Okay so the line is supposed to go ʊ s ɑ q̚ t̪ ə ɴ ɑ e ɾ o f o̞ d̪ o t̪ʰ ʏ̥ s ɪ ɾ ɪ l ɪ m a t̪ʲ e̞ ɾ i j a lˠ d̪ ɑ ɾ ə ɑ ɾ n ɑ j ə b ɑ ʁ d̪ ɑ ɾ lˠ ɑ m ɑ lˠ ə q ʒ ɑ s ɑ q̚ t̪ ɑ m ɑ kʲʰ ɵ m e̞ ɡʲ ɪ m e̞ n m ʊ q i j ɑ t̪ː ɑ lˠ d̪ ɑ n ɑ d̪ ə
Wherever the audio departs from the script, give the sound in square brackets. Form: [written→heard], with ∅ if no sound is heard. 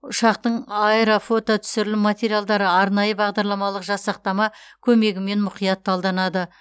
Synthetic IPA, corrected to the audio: ʊ [s→ʃ] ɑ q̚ t̪ ə ɴ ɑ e ɾ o f o̞ [d̪→t̪] o t̪ʰ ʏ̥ s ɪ ɾ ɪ l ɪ m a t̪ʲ e̞ ɾ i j a lˠ d̪ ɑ ɾ ə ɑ ɾ n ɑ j ə b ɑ ʁ d̪ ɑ ɾ lˠ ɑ m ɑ lˠ ə q ʒ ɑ s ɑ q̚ t̪ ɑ m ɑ kʲʰ ɵ m e̞ ɡʲ ɪ m e̞ n m ʊ q i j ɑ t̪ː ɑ lˠ d̪ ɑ n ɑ d̪ ə